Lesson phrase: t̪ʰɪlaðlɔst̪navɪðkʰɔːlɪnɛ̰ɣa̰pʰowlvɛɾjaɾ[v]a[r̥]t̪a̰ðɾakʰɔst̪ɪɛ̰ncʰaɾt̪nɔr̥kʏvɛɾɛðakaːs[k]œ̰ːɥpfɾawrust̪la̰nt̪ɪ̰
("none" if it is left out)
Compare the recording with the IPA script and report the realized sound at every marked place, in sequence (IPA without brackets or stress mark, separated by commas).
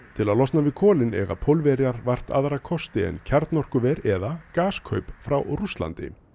v, r̥, kʰ